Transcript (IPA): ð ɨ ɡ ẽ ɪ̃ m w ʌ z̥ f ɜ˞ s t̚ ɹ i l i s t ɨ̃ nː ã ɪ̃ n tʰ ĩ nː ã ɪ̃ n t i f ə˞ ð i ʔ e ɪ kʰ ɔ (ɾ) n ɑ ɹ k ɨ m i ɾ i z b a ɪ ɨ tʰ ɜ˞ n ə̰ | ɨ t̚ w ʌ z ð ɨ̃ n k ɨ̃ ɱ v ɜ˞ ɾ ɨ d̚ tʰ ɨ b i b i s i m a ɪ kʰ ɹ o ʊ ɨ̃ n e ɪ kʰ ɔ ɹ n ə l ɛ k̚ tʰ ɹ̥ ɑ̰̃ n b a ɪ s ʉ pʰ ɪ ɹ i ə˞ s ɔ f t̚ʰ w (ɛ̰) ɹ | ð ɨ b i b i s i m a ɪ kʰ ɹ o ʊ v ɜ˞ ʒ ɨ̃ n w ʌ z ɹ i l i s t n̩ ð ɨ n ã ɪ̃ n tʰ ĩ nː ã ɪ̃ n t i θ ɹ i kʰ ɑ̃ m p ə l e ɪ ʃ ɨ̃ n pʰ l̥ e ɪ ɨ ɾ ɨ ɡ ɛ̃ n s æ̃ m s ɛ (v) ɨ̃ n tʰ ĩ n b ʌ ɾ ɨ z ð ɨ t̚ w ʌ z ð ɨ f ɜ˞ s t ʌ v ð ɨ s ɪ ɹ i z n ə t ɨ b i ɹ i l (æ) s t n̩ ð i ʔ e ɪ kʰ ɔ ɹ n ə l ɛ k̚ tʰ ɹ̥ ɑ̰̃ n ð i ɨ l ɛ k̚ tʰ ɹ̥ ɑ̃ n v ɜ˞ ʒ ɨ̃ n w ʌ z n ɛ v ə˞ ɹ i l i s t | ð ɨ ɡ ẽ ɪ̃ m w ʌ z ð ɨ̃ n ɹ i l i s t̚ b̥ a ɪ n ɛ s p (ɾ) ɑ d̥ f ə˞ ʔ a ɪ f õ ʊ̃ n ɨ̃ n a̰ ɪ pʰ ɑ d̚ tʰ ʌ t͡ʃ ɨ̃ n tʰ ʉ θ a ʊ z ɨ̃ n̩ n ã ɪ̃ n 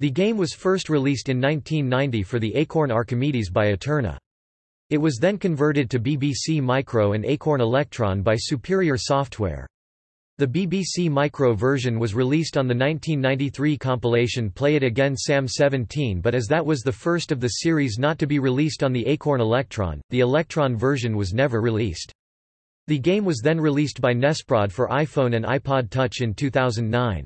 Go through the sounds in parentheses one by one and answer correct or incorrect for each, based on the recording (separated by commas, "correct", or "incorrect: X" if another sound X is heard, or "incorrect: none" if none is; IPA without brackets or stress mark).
incorrect: ɹ, correct, correct, incorrect: i, incorrect: ɹ